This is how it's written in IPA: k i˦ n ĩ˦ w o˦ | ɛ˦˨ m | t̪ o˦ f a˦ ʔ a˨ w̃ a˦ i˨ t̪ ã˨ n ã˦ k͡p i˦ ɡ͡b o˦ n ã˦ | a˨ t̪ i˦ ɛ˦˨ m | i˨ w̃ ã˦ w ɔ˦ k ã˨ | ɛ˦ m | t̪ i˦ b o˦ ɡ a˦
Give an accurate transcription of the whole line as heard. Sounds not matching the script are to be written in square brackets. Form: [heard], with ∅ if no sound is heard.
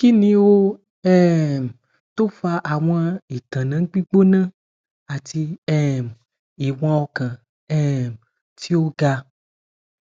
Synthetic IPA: k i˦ n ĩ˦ w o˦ | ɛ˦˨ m | t̪ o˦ f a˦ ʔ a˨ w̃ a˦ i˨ t̪ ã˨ n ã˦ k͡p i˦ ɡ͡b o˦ n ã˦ | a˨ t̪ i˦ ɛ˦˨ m | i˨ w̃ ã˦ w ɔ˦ k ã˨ | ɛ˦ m | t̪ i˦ [w] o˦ ɡ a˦